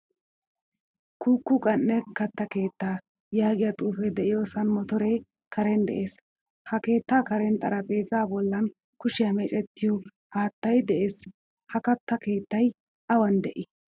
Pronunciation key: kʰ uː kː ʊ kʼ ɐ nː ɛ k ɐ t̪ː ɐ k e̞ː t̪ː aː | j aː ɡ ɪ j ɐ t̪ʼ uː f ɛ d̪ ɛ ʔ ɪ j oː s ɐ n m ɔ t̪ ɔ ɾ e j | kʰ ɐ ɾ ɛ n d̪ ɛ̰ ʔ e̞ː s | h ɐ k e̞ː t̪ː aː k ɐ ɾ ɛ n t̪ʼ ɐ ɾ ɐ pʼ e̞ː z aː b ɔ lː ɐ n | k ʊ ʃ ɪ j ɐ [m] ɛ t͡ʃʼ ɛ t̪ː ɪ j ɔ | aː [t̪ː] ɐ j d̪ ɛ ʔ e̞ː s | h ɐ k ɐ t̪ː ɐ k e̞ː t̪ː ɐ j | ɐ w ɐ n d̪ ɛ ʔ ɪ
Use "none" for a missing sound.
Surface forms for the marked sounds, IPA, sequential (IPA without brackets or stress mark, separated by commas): m, t̪ː